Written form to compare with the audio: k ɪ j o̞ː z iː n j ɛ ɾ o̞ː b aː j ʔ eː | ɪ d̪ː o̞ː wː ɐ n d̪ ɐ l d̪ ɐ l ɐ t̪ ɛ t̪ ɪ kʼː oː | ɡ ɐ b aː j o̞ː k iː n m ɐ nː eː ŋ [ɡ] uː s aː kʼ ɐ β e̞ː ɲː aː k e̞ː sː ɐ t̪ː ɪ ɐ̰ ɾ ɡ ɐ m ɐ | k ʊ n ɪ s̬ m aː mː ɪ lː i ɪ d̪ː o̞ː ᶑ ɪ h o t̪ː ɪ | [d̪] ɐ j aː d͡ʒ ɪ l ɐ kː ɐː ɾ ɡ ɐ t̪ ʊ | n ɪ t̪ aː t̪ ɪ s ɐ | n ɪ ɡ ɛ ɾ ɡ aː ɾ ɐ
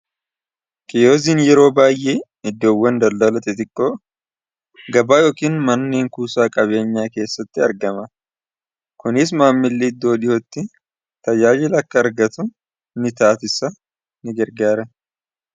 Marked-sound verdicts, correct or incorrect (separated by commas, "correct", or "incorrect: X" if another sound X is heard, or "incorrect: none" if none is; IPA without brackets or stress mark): incorrect: k, incorrect: t̪